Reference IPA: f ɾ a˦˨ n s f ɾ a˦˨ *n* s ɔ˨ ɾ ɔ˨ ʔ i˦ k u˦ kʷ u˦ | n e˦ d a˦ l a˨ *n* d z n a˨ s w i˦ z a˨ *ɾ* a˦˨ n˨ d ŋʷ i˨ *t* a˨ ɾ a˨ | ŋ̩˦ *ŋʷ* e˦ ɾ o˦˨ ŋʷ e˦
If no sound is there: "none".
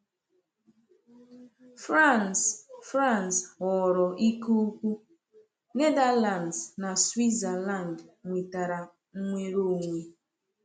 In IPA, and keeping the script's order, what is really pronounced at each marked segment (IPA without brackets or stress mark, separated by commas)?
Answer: n, n, l, t, ŋʷ